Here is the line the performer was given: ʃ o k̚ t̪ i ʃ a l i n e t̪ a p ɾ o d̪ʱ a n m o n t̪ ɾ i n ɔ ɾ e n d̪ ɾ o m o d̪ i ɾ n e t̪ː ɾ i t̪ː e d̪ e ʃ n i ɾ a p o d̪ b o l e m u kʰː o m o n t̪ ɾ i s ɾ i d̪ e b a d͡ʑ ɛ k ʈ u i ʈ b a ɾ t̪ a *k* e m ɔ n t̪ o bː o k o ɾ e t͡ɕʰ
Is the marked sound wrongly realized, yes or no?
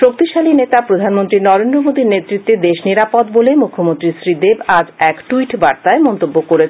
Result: yes